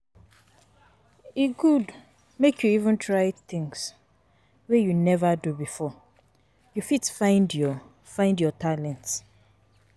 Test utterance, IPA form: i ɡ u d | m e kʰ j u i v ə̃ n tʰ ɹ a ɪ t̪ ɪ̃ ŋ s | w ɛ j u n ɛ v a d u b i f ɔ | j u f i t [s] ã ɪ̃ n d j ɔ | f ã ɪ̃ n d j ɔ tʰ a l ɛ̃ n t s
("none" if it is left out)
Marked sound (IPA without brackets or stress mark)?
f